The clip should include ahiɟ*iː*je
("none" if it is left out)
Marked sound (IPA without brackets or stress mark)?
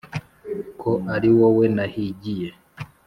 i